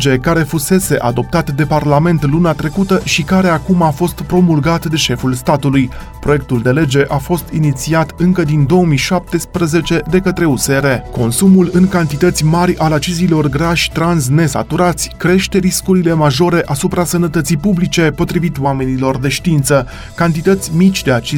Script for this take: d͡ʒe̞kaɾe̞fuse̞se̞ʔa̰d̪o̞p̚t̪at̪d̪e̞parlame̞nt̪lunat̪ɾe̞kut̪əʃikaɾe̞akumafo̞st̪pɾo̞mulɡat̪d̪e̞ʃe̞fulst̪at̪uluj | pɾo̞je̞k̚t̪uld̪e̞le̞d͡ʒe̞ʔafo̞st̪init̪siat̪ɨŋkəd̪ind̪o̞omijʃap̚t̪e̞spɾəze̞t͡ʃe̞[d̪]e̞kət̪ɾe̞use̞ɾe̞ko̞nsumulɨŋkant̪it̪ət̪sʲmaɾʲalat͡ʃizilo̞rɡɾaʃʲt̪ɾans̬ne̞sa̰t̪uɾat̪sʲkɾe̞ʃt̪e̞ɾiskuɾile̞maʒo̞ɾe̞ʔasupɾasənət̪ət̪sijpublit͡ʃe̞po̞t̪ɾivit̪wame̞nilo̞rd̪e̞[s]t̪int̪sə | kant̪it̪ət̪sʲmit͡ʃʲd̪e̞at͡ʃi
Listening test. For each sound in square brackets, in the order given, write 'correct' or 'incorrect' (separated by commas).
correct, incorrect